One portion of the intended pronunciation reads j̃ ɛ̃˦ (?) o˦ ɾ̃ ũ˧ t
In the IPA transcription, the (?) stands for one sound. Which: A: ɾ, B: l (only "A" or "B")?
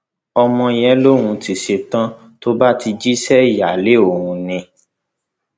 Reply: B